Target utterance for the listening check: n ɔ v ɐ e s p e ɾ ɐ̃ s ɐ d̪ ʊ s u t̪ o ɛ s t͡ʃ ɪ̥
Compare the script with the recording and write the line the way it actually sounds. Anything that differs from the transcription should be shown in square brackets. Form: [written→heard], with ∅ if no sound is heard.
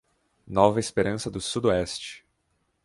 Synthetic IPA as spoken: n ɔ v ɐ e s p e ɾ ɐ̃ s ɐ d̪ ʊ s u [t̪→d̪] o ɛ s t͡ʃ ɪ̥